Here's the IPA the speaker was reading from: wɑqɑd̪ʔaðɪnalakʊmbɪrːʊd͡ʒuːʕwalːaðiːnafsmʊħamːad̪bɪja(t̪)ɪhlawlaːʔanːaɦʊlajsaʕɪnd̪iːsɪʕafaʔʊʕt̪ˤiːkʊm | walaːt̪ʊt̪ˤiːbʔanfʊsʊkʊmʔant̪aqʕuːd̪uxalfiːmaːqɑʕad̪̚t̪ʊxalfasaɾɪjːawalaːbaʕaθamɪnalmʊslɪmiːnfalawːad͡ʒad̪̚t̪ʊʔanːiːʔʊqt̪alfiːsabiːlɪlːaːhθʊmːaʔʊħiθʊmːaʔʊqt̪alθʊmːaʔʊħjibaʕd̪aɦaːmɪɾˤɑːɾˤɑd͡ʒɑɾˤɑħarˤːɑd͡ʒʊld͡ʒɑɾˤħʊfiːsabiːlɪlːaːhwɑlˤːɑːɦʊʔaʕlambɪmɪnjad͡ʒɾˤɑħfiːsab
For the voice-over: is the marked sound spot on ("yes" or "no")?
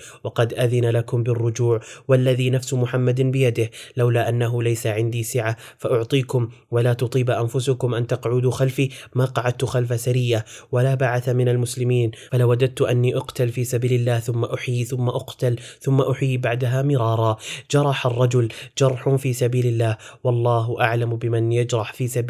no